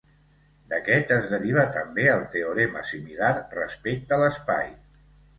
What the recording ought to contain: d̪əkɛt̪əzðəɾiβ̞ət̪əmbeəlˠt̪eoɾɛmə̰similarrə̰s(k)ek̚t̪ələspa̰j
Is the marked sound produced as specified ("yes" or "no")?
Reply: no